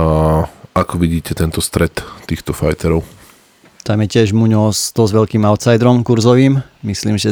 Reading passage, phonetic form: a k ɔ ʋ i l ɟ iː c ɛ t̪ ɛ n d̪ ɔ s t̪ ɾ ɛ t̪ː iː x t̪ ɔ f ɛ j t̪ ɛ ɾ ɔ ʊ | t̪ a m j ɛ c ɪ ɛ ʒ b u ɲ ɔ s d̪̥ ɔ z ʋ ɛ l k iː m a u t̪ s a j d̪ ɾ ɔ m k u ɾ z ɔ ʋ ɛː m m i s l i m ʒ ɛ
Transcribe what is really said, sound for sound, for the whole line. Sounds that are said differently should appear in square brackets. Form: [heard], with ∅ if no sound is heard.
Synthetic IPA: a k ɔ ʋ i [∅] ɟ iː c ɛ t̪ ɛ n [t̪] ɔ s t̪ ɾ ɛ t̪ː iː x t̪ ɔ f [a] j t̪ ɛ ɾ ɔ ʊ | t̪ a m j ɛ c ɪ ɛ ʒ [m] u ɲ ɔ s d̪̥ ɔ z ʋ ɛ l k iː m a [ʊ] t̪ s a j d̪ ɾ ɔ m k u ɾ z ɔ ʋ [iː] m m i s l [iː] m ʒ ɛ